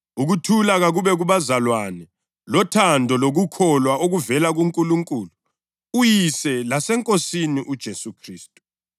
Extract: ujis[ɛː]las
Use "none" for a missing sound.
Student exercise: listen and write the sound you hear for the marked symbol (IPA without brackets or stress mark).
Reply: ɛ